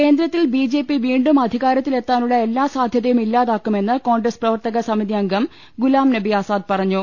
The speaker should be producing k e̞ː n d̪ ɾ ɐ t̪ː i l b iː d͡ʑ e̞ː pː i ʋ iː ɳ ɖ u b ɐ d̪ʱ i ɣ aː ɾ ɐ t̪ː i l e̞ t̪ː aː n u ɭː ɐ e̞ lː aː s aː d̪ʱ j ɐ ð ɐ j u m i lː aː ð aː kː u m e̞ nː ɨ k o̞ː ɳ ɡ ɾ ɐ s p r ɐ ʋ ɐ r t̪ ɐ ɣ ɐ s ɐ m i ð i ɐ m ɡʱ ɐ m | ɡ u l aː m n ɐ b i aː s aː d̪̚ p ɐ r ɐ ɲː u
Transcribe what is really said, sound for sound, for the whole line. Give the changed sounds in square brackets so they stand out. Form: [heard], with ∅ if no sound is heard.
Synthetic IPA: k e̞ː n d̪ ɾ ɐ t̪ː i l b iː d͡ʑ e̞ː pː i ʋ iː ɳ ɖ u [m] ɐ d̪ʱ i ɣ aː ɾ ɐ t̪ː i l e̞ t̪ː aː n u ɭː ɐ e̞ lː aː s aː d̪ʱ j ɐ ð ɐ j u m i lː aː ð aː kː u m e̞ nː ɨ k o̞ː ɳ ɡ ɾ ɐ s p r ɐ ʋ ɐ r t̪ ɐ ɣ ɐ s ɐ m i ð i ɐ [ŋ] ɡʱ ɐ m | ɡ u l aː m n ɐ b i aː s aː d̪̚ p ɐ r ɐ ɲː u